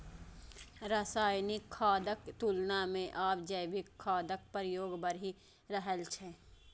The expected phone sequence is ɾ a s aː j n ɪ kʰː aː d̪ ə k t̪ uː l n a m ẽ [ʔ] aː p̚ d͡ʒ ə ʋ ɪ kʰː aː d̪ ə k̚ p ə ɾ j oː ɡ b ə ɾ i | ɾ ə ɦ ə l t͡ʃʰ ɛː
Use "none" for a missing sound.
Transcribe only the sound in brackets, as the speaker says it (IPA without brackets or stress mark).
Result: ʔ